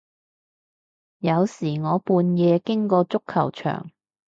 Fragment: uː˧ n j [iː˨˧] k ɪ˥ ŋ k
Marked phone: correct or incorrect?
incorrect